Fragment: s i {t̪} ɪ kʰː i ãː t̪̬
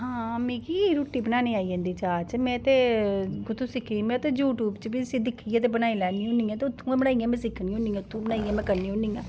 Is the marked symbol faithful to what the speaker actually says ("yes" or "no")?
no